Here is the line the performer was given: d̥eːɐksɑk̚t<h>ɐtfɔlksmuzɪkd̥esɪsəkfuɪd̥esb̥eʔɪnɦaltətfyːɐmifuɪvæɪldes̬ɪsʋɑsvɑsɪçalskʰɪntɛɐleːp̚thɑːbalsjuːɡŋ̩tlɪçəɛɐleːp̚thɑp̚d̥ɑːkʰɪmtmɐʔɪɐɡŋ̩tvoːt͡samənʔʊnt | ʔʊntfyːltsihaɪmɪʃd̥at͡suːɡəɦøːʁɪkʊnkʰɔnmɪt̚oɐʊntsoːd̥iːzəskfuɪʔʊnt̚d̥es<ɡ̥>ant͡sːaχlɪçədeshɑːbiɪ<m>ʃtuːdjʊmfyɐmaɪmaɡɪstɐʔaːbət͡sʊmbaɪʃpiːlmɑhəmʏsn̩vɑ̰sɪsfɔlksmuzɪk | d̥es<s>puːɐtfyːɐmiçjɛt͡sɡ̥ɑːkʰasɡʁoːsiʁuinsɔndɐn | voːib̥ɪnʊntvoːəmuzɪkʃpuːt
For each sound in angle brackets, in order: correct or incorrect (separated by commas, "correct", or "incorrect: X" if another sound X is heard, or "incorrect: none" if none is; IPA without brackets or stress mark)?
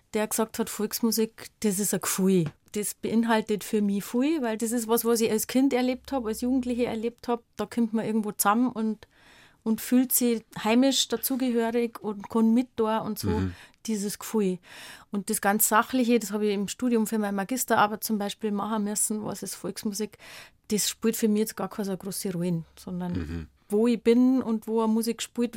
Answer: correct, correct, correct, incorrect: ʃ